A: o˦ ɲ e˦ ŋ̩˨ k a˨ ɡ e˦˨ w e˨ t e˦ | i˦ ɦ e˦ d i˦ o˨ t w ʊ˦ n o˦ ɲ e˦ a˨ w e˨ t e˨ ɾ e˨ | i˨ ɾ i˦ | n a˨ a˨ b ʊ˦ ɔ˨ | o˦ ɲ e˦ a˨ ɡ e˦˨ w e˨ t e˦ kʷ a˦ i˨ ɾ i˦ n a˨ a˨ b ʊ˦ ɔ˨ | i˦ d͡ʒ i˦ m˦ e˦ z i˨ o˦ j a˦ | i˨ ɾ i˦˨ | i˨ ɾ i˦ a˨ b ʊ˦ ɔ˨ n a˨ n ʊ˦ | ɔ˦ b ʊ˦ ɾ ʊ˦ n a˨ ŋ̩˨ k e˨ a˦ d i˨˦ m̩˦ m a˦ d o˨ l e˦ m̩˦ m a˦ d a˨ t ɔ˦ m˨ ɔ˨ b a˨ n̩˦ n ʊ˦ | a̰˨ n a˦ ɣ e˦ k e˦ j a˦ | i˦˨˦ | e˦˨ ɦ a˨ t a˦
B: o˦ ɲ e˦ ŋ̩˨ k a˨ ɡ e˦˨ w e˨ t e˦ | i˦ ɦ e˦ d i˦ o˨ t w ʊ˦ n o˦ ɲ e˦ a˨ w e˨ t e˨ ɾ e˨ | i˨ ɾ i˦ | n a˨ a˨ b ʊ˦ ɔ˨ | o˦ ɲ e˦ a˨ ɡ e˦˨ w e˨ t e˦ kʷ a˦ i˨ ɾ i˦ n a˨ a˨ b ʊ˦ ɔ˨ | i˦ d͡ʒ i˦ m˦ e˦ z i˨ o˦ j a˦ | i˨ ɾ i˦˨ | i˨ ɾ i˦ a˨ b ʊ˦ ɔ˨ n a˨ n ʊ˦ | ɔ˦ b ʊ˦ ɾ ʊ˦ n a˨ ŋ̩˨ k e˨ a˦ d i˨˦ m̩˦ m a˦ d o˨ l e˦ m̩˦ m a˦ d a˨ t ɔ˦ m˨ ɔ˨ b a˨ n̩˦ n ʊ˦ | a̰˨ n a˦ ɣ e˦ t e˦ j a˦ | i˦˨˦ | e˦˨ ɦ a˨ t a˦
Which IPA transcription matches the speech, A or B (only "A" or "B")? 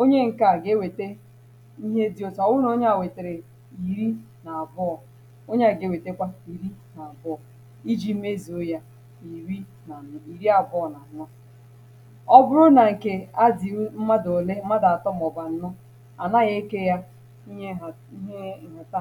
A